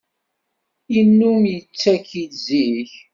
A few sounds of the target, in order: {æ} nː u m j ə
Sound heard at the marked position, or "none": i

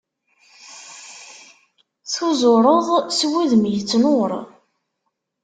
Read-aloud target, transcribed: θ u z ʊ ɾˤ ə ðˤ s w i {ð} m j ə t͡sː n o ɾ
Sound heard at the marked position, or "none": ð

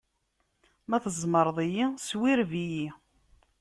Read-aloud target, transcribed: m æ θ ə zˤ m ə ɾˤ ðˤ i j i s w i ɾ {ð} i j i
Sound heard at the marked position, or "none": v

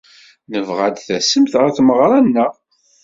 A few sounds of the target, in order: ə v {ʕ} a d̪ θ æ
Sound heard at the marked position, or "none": ʁ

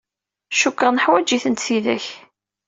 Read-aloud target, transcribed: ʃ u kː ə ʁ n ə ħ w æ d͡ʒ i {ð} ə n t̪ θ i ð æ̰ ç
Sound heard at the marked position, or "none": θ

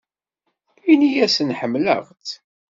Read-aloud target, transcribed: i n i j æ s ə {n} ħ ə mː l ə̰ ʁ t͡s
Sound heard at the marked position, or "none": n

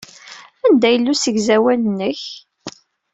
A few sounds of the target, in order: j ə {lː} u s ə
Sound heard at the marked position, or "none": lː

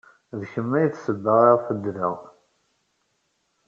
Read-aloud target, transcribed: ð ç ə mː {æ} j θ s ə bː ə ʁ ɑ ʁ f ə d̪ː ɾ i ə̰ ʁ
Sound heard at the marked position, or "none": æ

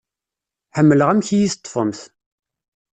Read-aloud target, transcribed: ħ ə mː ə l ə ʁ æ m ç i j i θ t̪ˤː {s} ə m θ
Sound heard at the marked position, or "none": f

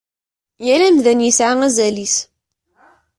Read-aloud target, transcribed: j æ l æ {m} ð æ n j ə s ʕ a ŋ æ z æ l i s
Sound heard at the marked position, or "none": m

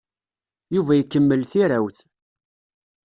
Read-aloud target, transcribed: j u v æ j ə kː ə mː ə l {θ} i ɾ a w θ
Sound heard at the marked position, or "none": θ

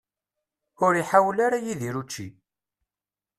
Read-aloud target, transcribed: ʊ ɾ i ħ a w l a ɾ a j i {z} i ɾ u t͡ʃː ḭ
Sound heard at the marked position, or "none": ð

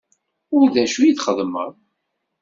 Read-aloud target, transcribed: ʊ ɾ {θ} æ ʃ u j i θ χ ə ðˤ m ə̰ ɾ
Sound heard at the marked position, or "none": ð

